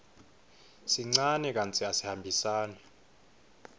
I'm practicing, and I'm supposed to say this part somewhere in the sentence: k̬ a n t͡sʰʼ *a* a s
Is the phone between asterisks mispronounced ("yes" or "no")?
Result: yes